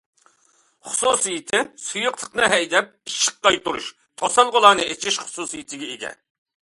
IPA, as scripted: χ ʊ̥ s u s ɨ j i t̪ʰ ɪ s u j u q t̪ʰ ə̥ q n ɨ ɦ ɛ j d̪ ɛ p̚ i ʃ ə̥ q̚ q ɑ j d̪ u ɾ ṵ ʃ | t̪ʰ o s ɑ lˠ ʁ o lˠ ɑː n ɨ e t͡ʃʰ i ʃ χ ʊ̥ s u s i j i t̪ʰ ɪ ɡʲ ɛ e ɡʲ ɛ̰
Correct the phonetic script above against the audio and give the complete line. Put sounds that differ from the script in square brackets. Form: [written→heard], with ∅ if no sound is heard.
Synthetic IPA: χ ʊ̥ s u s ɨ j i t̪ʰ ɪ s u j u q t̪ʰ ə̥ q n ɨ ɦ ɛ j d̪ ɛ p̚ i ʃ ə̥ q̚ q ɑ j [d̪→t̪] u ɾ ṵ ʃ | t̪ʰ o s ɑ lˠ ʁ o lˠ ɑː n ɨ e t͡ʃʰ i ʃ χ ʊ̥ s u s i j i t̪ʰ ɪ ɡʲ ɛ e ɡʲ ɛ̰